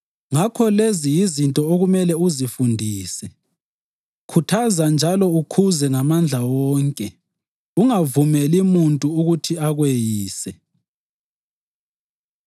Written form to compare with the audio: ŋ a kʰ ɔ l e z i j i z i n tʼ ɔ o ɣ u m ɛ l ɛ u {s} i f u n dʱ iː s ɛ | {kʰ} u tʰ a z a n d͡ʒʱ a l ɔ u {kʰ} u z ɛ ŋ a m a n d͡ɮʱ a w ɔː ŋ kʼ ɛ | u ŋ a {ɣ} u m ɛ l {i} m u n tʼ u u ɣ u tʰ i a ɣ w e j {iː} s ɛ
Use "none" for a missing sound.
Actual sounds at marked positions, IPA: z, kʰ, kʰ, v, i, iː

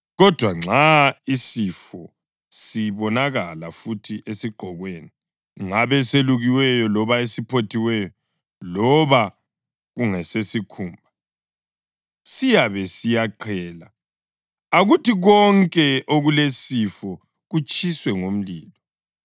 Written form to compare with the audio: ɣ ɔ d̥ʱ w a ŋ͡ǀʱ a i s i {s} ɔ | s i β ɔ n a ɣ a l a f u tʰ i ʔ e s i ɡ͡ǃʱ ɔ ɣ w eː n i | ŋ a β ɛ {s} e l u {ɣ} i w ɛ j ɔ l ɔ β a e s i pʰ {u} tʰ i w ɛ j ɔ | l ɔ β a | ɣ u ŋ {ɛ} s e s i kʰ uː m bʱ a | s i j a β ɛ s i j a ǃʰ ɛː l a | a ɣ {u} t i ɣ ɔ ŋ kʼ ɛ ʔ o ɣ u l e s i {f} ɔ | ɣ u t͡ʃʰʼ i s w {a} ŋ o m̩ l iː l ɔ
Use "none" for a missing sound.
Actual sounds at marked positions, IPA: f, s, ɣ, o, ɛ, u, f, ɛ

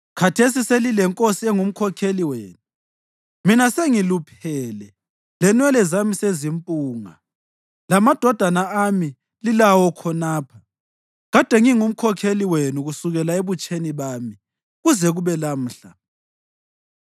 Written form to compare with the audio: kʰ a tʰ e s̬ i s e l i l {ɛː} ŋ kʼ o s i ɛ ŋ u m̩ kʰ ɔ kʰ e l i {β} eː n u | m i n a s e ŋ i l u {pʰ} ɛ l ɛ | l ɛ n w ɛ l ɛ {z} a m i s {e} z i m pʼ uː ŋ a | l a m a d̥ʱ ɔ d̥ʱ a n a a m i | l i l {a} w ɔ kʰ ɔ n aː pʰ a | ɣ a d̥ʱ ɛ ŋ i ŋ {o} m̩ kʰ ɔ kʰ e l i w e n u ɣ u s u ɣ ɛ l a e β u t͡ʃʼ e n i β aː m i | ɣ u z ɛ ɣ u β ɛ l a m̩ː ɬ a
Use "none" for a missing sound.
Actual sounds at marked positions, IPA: ɛ, w, pʰ, z, e, a, u

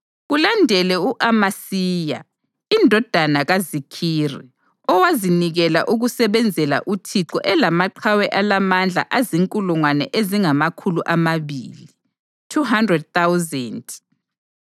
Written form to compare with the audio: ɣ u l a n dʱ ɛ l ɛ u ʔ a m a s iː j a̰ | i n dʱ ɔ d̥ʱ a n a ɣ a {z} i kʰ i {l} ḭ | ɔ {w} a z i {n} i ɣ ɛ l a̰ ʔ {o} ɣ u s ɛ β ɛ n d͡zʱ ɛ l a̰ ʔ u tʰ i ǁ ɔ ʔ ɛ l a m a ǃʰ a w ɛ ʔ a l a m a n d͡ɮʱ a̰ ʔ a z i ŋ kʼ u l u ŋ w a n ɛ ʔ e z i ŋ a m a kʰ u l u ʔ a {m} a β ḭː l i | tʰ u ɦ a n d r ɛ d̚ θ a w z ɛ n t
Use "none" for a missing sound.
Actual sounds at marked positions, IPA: z, r, w, n, u, m

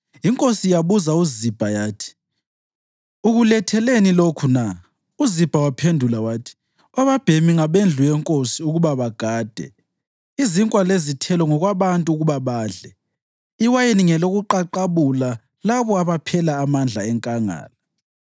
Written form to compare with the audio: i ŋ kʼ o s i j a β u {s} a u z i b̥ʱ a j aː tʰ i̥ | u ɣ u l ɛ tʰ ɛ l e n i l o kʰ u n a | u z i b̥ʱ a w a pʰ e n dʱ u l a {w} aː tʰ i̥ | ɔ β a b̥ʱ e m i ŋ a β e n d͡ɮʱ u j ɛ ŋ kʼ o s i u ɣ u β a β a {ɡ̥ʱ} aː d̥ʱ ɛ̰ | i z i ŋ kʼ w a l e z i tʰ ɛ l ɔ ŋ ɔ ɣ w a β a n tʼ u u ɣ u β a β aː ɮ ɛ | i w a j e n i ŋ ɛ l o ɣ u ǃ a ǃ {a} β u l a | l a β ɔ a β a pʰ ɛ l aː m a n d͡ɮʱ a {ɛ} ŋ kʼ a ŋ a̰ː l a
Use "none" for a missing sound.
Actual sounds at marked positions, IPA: z, w, ɡ̥ʱ, a, ɛ

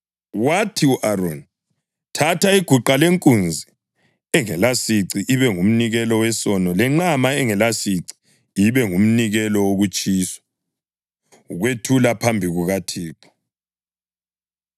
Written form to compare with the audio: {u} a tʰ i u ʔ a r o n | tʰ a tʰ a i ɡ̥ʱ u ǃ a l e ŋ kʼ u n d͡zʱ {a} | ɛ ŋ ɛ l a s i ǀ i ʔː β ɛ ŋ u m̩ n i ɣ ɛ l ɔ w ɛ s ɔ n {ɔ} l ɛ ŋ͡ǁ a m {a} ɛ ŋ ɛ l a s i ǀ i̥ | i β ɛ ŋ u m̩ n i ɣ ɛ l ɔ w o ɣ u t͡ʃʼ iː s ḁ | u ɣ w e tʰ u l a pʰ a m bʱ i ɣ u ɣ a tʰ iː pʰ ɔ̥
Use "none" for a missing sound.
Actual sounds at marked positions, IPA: w, i, ɔ, a

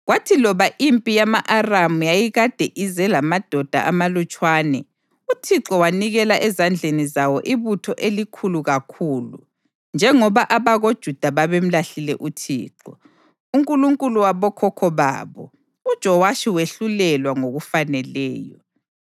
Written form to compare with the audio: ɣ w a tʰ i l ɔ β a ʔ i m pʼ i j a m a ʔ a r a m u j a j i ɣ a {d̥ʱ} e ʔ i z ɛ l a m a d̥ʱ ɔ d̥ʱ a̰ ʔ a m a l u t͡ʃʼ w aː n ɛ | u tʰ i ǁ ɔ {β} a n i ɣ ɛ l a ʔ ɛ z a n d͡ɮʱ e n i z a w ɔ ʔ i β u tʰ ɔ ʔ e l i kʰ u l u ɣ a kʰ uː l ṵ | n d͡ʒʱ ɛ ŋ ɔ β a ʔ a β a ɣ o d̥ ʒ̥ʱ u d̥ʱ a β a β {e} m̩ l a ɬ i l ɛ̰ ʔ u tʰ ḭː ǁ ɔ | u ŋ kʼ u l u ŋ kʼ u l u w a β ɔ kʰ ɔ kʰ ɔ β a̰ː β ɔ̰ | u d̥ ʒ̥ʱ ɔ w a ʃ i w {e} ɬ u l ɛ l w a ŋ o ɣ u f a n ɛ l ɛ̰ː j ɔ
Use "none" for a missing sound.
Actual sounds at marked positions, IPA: d̥ʱ, w, e, e

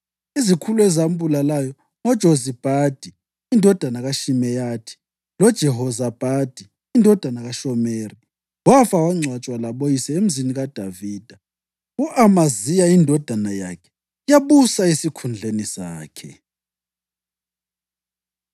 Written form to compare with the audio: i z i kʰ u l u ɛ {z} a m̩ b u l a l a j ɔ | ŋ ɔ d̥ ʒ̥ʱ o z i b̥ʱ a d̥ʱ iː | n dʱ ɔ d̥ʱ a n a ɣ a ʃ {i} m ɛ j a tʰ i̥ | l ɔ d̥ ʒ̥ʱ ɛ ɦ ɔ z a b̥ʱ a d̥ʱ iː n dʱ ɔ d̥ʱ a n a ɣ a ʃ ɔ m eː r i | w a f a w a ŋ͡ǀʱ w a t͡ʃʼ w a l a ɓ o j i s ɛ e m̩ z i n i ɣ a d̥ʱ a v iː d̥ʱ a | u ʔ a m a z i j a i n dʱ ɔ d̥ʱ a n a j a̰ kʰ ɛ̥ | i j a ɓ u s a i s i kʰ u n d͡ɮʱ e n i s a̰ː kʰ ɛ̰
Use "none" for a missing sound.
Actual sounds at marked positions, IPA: z, i

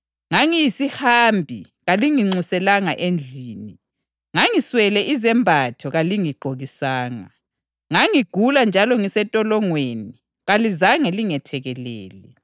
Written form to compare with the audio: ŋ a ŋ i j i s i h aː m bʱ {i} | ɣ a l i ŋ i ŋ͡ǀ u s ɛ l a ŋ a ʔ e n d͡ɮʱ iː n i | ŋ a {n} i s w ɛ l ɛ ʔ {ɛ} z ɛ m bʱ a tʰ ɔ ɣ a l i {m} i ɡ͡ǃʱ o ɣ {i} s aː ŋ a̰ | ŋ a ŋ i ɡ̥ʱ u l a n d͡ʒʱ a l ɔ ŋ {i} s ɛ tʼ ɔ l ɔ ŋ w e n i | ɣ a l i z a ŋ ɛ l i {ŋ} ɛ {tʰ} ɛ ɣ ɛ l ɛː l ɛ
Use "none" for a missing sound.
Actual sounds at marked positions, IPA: i, ŋ, i, ŋ, i, i, ŋ, tʰ

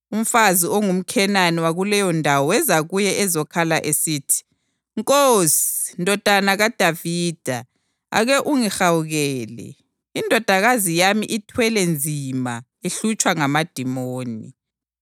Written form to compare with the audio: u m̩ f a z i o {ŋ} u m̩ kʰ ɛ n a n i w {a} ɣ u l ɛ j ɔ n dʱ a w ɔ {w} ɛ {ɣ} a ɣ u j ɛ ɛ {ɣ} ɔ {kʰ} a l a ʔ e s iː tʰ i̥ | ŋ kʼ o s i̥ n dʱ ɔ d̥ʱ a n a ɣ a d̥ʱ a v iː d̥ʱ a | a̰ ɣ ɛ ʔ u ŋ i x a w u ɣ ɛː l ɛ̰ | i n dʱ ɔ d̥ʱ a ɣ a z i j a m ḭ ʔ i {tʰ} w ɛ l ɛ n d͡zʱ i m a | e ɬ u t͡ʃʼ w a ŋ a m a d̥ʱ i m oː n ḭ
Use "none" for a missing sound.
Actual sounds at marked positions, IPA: ŋ, a, w, z, z, kʰ, tʰ

